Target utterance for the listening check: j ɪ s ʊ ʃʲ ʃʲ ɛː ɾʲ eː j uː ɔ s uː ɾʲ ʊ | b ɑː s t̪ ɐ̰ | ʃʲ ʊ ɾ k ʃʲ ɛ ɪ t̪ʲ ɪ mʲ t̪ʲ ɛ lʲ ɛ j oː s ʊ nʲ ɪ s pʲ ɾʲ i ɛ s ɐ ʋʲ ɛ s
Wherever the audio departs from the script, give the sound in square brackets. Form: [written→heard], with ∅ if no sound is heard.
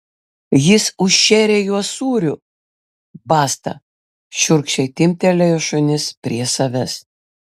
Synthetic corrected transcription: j ɪ s ʊ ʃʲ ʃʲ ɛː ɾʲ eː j [uː→u] ɔ s uː ɾʲ ʊ | b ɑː s t̪ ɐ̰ | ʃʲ ʊ ɾ k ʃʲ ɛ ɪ t̪ʲ ɪ mʲ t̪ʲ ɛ lʲ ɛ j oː [s→ʃ] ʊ nʲ ɪ s pʲ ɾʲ i ɛ s ɐ ʋʲ ɛ s

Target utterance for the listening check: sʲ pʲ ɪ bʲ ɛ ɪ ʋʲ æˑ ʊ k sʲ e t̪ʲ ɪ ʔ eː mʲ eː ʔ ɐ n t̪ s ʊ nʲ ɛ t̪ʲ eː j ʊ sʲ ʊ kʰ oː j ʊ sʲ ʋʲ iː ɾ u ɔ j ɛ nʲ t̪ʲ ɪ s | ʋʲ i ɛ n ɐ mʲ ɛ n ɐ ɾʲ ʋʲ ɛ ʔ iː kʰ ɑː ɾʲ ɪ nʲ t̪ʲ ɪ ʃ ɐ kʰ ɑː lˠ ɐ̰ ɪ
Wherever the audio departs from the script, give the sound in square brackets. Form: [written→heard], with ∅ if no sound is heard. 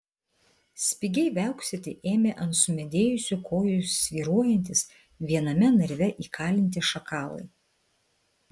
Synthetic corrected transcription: sʲ pʲ ɪ [bʲ→ɡʲ] ɛ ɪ ʋʲ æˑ ʊ k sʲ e t̪ʲ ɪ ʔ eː mʲ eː ʔ ɐ n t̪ s ʊ [nʲ→mʲ] ɛ [t̪ʲ→d̪ʲ] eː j ʊ sʲ ʊ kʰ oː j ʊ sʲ ʋʲ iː ɾ u ɔ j ɛ nʲ t̪ʲ ɪ s | ʋʲ i ɛ n ɐ mʲ ɛ n ɐ ɾʲ ʋʲ ɛ ʔ iː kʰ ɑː [ɾʲ→lʲ] ɪ nʲ t̪ʲ ɪ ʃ ɐ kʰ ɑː lˠ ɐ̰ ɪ

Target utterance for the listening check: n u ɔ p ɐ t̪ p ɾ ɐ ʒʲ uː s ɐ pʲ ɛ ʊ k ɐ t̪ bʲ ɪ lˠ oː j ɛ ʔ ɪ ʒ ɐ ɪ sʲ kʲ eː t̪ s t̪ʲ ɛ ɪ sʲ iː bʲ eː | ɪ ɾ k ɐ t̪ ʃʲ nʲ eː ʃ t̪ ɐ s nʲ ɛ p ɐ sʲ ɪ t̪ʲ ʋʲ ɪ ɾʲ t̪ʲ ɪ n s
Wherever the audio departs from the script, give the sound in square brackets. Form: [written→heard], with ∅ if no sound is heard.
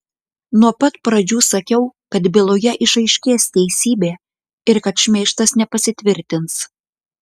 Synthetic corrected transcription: n u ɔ p ɐ t̪ p ɾ ɐ [ʒʲ→d͡ʒʲ] uː s ɐ [pʲ→kʲ] ɛ ʊ k ɐ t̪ bʲ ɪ lˠ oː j ɛ ʔ ɪ [ʒ→ʃ] ɐ ɪ [sʲ→ʃʲ] kʲ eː [t̪→∅] s t̪ʲ ɛ ɪ sʲ iː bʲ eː | ɪ ɾ k ɐ t̪ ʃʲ [nʲ→mʲ] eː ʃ t̪ ɐ s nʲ ɛ p ɐ sʲ ɪ t̪ʲ ʋʲ ɪ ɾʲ t̪ʲ ɪ n s

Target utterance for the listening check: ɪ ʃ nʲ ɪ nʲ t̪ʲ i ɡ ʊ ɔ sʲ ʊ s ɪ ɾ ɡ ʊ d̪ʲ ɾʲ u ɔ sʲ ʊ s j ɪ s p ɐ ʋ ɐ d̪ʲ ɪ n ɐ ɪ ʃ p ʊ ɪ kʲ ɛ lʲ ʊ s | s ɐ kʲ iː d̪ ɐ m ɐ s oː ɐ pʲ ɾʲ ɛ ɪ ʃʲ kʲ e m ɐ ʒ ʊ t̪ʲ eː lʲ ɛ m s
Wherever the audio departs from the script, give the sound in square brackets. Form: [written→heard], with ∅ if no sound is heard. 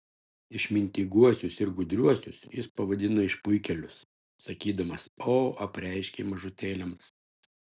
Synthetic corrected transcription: ɪ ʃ [nʲ→mʲ] ɪ nʲ t̪ʲ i ɡ [ʊ→u] ɔ sʲ ʊ s ɪ ɾ ɡ ʊ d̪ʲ ɾʲ u ɔ sʲ ʊ s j ɪ s p ɐ ʋ ɐ d̪ʲ ɪ n ɐ ɪ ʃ p ʊ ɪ kʲ ɛ lʲ ʊ s | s ɐ kʲ iː d̪ ɐ m ɐ s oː ɐ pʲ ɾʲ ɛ ɪ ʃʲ kʲ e m ɐ ʒ ʊ t̪ʲ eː lʲ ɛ m s

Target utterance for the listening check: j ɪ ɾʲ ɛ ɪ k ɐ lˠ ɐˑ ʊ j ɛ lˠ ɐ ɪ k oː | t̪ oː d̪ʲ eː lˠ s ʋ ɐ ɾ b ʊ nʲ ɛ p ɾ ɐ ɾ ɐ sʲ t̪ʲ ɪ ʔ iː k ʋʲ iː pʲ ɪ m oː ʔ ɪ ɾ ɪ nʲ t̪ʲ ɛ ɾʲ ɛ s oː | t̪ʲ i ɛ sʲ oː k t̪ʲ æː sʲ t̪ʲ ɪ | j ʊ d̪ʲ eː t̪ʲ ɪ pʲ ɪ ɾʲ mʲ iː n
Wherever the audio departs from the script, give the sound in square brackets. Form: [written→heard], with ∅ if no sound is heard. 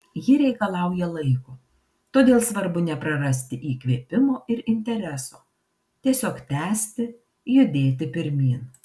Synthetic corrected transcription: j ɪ ɾʲ ɛ ɪ k ɐ lˠ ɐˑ ʊ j ɛ lˠ ɐ ɪ k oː | t̪ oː d̪ʲ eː lˠ s ʋ ɐ ɾ b ʊ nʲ ɛ p ɾ ɐ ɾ ɐ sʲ t̪ʲ ɪ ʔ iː k ʋʲ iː pʲ ɪ m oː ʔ ɪ ɾ ɪ nʲ t̪ʲ ɛ ɾʲ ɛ s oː | t̪ʲ i ɛ sʲ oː k t̪ʲ æː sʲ t̪ʲ ɪ | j ʊ d̪ʲ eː t̪ʲ ɪ pʲ ɪ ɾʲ mʲ iː n

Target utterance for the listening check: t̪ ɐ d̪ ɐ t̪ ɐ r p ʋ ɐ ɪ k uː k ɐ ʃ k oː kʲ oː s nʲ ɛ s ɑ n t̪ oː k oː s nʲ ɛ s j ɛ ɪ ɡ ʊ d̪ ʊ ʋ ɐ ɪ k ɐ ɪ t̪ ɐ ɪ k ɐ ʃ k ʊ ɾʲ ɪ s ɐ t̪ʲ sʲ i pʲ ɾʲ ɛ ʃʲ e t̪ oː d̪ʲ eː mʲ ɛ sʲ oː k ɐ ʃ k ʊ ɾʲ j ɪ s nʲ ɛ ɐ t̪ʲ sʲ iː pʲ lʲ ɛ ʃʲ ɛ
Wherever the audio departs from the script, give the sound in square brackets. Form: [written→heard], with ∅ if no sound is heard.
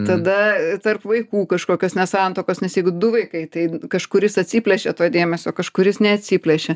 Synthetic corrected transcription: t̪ ɐ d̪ ɐ t̪ ɐ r p ʋ ɐ ɪ k uː k ɐ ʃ k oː kʲ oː s nʲ ɛ s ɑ n t̪ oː k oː s nʲ ɛ s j ɛ ɪ ɡ ʊ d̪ ʊ ʋ ɐ ɪ k ɐ ɪ t̪ ɐ ɪ k ɐ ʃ k ʊ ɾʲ ɪ s ɐ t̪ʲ sʲ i pʲ [ɾʲ→lʲ] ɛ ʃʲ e t̪ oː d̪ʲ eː mʲ ɛ sʲ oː k ɐ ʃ k ʊ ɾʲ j ɪ s nʲ ɛ ɐ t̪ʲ sʲ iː pʲ lʲ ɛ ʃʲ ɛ

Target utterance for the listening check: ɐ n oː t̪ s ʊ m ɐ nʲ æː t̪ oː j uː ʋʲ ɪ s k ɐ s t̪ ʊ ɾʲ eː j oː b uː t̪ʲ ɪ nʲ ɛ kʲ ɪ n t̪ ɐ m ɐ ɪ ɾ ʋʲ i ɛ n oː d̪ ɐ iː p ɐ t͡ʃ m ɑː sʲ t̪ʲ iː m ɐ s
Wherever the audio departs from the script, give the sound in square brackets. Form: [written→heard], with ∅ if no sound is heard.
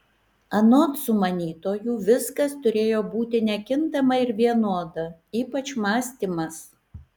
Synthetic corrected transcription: ɐ n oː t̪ s ʊ m ɐ nʲ [æː→iː] t̪ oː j uː ʋʲ ɪ s k ɐ s t̪ ʊ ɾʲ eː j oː b uː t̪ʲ ɪ nʲ ɛ kʲ ɪ n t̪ ɐ m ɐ ɪ ɾ ʋʲ i ɛ n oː d̪ ɐ iː p ɐ t͡ʃ m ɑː sʲ t̪ʲ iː m ɐ s

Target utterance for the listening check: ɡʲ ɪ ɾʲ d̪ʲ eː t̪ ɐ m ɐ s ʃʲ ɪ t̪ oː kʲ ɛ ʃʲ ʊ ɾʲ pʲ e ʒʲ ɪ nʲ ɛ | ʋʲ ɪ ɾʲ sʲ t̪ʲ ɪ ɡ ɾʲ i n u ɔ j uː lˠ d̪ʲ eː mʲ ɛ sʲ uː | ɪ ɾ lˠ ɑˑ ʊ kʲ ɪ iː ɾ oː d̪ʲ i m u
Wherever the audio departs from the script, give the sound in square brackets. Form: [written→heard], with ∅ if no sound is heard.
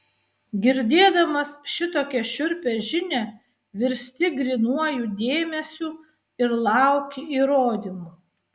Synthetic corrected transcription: ɡʲ ɪ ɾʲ d̪ʲ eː [t̪→d̪] ɐ m ɐ s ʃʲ ɪ t̪ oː kʲ ɛ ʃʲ ʊ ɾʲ pʲ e ʒʲ ɪ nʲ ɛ | ʋʲ ɪ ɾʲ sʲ t̪ʲ ɪ ɡ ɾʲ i n u ɔ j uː [lˠ→∅] d̪ʲ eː mʲ ɛ sʲ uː | ɪ ɾ lˠ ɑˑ ʊ kʲ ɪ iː ɾ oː d̪ʲ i m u

